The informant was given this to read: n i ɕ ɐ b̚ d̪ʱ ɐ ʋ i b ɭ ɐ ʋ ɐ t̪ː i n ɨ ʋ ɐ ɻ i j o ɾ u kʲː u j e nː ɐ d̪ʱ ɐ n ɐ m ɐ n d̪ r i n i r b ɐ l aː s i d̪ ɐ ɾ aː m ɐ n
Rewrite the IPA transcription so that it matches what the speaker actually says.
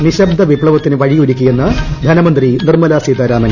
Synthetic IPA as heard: n i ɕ ɐ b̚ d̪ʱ ɐ ʋ i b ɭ ɐ ʋ ɐ t̪ː i n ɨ ʋ ɐ ɻ i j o ɾ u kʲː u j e nː ɐ d̪ʱ ɐ n ɐ m ɐ n d̪ r i n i r m ɐ l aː s i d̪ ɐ ɾ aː m ɐ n

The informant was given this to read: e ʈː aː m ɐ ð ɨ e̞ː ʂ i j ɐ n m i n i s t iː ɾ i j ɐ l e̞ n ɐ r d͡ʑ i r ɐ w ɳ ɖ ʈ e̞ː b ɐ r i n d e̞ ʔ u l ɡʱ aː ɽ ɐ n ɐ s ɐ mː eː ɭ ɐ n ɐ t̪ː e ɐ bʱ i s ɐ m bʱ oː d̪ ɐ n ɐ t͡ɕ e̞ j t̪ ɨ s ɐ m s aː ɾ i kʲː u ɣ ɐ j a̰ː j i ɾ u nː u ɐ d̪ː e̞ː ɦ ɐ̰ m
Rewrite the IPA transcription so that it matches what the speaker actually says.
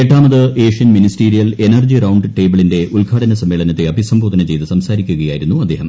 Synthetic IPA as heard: e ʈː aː m ɐ ð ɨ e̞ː ʂ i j ɐ n m i n i s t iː ɾ i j ɐ l e̞ n ɐ r d͡ʑ i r ɐ w ɳ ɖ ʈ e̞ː b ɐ ɭ i n d e̞ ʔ u l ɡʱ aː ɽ ɐ n ɐ s ɐ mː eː ɭ ɐ n ɐ t̪ː e ɐ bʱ i s ɐ m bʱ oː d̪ ɐ n ɐ t͡ɕ e̞ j t̪ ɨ s ɐ m s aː ɾ i kʲː u ɣ ɐ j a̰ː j i ɾ u nː u ɐ d̪ː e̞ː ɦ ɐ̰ m

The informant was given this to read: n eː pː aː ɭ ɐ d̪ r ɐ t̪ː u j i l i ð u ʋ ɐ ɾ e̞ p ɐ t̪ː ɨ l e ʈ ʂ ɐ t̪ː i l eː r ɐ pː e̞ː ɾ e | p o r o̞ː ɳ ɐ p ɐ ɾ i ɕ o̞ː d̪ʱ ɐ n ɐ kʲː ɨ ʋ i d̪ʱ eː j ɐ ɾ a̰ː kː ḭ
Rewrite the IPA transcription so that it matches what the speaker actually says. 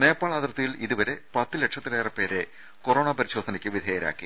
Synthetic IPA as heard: n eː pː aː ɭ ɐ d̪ r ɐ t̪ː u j i l i ð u ʋ ɐ ɾ e̞ p ɐ t̪ː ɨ l e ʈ ʂ ɐ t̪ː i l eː r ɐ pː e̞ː ɾ e | k o r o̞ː ɳ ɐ p ɐ ɾ i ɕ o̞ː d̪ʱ ɐ n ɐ kʲː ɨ ʋ i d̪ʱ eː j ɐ ɾ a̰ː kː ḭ

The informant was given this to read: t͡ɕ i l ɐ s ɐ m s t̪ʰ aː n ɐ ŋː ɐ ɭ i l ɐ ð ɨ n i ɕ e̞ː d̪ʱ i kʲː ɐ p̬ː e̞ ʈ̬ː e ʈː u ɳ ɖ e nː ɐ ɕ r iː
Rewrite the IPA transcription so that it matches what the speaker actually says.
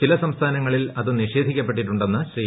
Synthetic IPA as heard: t͡ɕ i l ɐ s ɐ m s t̪ʰ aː n ɐ ŋː ɐ ɭ i l ɐ ð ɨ n i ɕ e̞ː d̪ʱ i kʲː ɐ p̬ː e̞ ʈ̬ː i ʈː u ɳ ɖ e nː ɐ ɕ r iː

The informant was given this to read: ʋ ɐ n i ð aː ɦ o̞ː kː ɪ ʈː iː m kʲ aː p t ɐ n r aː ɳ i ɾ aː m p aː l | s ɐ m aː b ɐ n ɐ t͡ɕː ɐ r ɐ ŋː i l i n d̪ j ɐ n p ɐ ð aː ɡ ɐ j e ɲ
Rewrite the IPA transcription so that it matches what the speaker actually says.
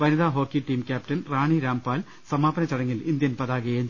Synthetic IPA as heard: ʋ ɐ n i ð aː ɦ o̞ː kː i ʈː iː m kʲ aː p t ɐ n r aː ɳ i ɾ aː m p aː l | s ɐ m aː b ɐ n ɐ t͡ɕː ɐ ɽ ɐ ŋː i l i n d̪ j ɐ n p ɐ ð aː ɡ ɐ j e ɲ

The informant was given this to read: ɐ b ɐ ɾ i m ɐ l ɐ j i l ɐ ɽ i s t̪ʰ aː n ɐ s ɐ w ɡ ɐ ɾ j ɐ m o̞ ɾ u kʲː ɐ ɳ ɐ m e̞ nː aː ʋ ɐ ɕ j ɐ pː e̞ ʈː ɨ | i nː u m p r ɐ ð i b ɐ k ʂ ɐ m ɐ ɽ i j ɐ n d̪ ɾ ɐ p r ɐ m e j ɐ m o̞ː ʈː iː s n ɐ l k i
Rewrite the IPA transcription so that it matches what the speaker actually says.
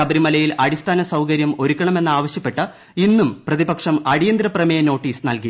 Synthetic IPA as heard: ɐ b ɐ ɾ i m ɐ l ɐ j i l ɐ ɽ i s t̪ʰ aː n ɐ s ɐ w k ɐ ɾ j ɐ m o̞ ɾ u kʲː ɐ ɳ ɐ m e̞ nː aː ʋ ɐ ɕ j ɐ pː e̞ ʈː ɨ | i nː u m p r ɐ ð i b ɐ k ʂ ɐ m ɐ ɽ i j ɐ n d̪ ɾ ɐ p r ɐ m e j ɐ n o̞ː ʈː iː s n ɐ l k i

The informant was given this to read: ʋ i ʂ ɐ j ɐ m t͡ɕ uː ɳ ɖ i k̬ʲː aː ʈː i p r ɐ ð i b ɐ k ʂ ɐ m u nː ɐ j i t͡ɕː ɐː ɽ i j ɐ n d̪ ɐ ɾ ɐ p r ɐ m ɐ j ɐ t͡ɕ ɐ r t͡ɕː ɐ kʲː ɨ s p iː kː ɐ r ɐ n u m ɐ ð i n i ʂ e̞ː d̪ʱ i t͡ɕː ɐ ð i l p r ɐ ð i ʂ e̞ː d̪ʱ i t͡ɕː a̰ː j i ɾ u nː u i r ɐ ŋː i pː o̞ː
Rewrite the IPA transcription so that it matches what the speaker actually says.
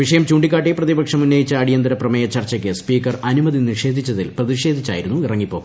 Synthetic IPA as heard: ʋ i ʂ ɐ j ɐ m t͡ɕ uː ɳ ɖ i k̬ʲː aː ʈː i p r ɐ ð i b ɐ k ʂ ɐ m u nː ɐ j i t͡ɕː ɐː ɽ i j ɐ n d̪ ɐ ɾ ɐ p r ɐ m ɐ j ɐ t͡ɕ ɐ r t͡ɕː ɐ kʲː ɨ s p iː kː ɐ r ɐ n u m ɐ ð i n i ʂ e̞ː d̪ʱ i t͡ɕː ɐ ð i l p r ɐ ð i ʂ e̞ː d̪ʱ i t͡ɕː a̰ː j i ɾ u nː u i r ɐ ŋː i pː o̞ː

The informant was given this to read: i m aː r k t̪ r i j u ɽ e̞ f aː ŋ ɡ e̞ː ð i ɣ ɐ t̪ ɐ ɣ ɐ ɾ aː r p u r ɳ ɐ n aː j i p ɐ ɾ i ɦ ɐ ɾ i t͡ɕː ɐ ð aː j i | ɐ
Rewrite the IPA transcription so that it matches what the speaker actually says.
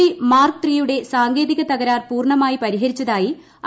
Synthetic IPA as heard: i m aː r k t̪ r i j u ɽ e̞ s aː ŋ ɡ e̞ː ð i ɣ ɐ t̪ ɐ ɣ ɐ ɾ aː r p uː r ɳ ɐ m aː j i p ɐ ɾ i ɦ ɐ ɾ i t͡ɕː ɐ ð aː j i | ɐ

